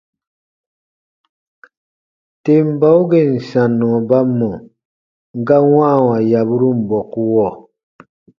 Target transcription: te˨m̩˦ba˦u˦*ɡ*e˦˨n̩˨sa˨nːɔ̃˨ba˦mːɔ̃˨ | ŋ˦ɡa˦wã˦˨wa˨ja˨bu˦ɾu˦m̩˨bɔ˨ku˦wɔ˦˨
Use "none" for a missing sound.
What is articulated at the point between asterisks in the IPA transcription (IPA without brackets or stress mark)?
ɡ